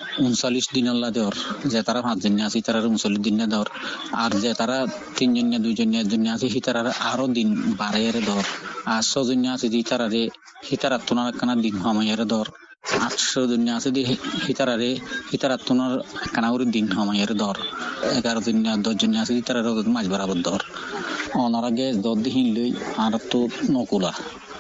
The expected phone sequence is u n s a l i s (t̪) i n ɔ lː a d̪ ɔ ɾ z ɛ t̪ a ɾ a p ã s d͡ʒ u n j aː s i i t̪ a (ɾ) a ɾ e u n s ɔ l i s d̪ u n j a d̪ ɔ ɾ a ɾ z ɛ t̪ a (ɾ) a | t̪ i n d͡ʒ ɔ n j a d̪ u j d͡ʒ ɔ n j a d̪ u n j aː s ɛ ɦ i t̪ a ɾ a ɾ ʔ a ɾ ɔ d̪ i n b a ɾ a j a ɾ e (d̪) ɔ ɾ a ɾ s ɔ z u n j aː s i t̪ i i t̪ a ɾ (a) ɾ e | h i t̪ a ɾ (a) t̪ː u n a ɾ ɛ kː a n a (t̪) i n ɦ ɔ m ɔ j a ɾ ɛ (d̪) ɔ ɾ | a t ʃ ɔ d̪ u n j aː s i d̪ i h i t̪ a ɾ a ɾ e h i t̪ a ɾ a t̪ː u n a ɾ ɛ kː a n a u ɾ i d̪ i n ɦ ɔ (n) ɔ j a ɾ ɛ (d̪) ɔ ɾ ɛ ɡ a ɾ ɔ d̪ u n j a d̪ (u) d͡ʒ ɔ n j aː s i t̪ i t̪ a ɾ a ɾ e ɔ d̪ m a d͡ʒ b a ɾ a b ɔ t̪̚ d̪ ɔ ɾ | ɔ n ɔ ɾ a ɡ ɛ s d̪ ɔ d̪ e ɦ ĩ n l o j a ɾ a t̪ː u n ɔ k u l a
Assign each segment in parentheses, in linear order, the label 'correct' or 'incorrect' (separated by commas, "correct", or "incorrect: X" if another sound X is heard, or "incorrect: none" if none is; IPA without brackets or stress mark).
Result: incorrect: d̪, correct, correct, correct, correct, correct, incorrect: d̪, correct, incorrect: m, correct, incorrect: ɔ